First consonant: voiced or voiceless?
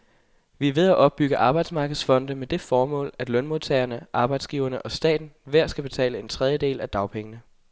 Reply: voiced